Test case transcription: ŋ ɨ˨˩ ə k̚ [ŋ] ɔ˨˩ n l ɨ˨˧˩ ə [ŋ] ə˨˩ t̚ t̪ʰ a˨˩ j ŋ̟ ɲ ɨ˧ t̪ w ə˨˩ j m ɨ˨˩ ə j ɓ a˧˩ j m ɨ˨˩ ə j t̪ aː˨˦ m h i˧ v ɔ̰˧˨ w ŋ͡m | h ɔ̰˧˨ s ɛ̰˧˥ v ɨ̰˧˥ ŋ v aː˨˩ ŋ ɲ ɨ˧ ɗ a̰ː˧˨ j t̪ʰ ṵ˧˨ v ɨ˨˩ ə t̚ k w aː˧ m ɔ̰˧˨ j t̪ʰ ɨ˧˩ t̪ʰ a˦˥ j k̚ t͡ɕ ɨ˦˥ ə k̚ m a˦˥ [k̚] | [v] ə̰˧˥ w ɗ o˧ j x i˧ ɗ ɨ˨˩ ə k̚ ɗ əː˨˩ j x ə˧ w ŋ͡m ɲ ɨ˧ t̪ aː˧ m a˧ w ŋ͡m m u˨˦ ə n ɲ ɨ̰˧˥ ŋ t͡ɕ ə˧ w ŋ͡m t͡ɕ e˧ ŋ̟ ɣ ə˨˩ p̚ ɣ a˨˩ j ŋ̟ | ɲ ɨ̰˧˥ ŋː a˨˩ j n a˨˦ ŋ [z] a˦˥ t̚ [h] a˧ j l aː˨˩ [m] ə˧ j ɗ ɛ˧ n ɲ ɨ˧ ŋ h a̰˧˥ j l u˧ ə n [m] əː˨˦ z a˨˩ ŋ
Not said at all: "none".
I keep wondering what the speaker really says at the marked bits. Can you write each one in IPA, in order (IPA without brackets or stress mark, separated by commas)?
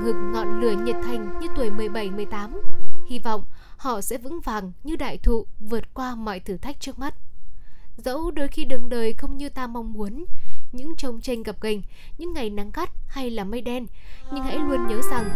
ŋ, ɲ, t̚, z, ɣ, h, m, ɲ